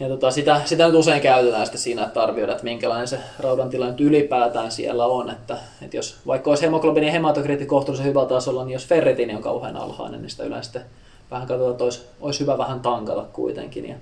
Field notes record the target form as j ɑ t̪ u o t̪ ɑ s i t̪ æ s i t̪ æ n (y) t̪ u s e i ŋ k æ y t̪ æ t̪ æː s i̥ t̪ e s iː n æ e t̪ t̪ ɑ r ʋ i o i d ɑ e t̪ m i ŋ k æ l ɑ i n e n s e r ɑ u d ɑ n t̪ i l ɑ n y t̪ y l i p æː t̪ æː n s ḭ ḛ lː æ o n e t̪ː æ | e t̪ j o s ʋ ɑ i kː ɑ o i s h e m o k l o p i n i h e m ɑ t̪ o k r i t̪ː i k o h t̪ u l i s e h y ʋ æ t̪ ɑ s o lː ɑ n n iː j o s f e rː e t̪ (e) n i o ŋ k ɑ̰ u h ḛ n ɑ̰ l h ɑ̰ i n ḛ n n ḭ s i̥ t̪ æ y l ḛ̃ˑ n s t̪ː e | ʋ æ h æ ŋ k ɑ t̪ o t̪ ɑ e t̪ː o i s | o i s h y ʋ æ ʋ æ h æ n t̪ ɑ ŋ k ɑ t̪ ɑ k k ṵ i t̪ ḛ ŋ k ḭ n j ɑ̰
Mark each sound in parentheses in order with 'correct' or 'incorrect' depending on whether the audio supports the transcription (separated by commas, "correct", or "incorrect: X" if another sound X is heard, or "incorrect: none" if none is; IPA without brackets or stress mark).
correct, incorrect: i